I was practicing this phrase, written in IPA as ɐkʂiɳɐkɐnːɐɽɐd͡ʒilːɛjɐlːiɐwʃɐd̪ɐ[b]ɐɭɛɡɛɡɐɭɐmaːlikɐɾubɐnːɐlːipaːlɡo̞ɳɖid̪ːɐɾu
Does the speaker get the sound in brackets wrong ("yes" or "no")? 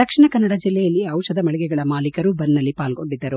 yes